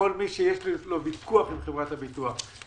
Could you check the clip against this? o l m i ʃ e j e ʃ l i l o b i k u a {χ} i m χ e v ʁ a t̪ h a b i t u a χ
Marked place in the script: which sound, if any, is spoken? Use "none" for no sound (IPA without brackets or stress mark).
χ